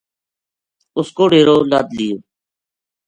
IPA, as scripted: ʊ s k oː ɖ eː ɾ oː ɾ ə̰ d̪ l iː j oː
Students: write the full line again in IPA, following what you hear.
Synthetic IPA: ʊ s k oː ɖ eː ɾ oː l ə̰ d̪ l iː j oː